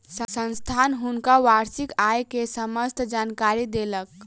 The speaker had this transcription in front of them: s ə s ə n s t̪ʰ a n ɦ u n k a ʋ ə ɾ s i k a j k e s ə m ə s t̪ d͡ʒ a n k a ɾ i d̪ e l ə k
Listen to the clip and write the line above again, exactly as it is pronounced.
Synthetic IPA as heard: s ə s ə n s t̪ʰ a n ɦ u n k a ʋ a ɾ s i k a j k e s ə m ə s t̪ d͡ʒ a n k a ɾ i d̪ e l ə k